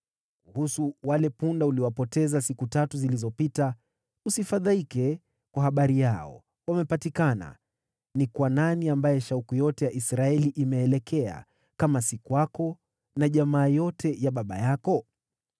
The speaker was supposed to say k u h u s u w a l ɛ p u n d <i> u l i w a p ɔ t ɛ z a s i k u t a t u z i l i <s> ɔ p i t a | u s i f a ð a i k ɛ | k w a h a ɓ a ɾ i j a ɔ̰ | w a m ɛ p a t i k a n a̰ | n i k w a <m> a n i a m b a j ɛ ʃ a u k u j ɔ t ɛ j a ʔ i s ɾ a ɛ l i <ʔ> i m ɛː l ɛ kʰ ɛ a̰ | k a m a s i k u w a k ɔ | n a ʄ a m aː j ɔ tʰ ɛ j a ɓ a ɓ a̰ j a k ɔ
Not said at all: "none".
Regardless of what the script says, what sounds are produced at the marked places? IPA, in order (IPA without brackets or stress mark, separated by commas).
a, z, n, ʔ